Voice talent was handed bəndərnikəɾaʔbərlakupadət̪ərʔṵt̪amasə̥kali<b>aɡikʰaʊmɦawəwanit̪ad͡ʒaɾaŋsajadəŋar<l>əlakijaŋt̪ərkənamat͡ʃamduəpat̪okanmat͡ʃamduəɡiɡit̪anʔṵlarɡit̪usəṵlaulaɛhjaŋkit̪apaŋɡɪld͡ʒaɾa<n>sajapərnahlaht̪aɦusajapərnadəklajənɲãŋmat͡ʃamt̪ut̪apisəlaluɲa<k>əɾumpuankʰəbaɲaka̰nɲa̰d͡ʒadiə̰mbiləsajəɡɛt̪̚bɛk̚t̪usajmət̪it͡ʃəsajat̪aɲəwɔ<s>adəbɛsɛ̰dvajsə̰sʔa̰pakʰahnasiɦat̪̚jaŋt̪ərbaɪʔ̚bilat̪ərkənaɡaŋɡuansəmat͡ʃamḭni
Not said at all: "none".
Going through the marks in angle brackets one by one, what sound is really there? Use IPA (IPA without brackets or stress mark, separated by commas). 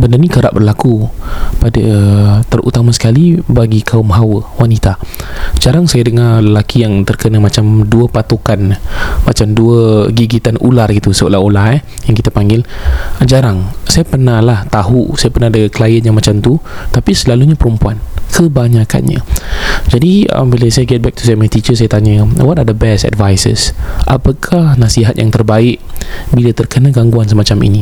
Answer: b, l, ŋ, p, t